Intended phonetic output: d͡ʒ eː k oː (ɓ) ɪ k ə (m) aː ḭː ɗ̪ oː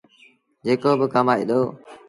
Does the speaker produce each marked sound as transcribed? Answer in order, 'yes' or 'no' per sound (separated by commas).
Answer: no, yes